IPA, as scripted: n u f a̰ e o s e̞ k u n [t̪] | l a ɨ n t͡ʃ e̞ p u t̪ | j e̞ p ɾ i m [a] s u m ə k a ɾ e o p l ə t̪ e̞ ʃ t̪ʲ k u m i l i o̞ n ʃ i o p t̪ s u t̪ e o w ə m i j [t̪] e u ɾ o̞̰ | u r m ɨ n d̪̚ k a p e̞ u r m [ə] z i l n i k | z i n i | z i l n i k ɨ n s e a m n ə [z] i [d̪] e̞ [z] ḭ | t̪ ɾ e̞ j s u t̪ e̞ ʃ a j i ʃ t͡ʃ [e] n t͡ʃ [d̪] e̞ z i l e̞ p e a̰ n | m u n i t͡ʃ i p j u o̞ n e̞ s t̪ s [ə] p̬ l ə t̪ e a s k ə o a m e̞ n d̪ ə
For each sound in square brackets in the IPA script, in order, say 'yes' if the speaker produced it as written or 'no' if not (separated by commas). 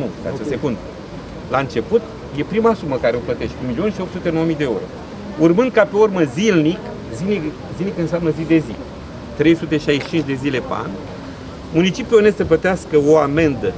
no, yes, no, yes, yes, yes, yes, no, yes, yes